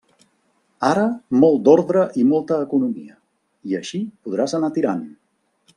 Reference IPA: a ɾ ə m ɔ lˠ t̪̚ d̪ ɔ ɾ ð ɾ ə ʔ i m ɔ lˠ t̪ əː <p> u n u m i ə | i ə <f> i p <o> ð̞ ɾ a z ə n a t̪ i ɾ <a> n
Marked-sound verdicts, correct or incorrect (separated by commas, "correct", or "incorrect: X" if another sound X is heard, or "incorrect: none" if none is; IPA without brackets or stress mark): incorrect: k, incorrect: ʃ, incorrect: u, correct